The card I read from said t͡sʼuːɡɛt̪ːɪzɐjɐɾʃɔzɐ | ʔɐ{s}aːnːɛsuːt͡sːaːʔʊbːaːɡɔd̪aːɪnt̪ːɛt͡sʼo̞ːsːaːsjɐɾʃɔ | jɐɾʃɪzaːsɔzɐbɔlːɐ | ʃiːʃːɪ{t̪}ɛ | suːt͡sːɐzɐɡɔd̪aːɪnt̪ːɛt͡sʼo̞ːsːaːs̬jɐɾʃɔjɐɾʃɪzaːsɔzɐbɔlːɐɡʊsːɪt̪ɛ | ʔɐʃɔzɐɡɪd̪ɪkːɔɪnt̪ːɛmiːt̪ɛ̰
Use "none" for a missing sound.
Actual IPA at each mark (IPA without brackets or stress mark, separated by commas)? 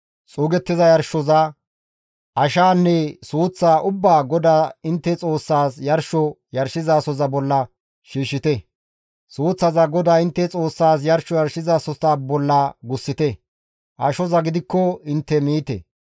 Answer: ʃ, t̪